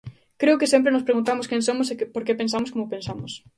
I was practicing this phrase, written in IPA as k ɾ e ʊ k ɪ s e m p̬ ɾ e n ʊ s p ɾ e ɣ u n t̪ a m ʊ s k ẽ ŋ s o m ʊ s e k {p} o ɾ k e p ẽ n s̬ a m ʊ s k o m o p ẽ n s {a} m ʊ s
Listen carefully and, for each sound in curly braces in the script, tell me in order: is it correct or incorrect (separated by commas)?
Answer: correct, correct